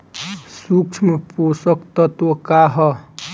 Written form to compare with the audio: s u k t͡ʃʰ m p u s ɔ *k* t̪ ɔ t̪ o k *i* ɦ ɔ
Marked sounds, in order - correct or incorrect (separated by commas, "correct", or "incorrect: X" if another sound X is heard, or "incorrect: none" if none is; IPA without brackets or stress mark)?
correct, incorrect: a